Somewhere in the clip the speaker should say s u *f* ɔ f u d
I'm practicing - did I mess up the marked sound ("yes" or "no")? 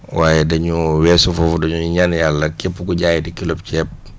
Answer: no